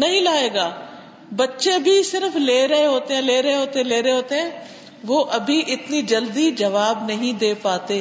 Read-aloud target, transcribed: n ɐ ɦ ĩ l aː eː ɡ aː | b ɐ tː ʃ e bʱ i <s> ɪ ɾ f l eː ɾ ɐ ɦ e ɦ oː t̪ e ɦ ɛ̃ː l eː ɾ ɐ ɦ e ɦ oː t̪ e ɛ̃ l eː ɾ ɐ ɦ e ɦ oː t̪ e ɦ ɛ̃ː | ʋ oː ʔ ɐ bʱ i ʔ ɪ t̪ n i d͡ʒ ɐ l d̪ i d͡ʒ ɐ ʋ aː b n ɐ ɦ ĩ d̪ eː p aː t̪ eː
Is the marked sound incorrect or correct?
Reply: correct